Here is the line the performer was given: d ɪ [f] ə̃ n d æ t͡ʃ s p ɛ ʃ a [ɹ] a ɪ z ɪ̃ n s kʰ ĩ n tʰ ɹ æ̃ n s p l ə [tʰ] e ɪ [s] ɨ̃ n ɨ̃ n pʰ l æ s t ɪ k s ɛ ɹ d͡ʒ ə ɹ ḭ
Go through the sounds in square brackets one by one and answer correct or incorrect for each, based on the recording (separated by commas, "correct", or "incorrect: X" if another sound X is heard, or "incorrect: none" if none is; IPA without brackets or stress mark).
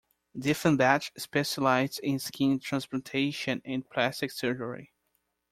correct, incorrect: l, correct, incorrect: ʃ